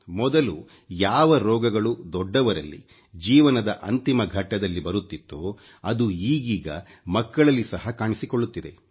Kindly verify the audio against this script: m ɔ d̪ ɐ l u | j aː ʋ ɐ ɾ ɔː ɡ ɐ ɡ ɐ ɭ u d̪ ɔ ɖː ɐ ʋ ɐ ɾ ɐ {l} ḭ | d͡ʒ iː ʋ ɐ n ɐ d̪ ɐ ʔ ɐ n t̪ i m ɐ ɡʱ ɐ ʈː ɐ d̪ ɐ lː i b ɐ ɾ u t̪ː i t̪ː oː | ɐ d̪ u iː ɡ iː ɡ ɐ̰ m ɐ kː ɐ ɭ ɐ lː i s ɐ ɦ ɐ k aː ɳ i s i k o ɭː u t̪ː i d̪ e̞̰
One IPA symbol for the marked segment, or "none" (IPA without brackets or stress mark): lː